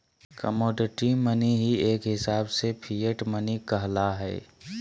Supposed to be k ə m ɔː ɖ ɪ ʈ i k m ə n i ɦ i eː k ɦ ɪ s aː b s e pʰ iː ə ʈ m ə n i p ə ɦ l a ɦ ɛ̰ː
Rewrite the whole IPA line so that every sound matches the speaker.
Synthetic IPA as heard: k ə m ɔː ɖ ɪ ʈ i m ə n i ɦ i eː k ɦ ɪ s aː b s e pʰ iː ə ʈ m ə n i k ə ɦ l a ɦ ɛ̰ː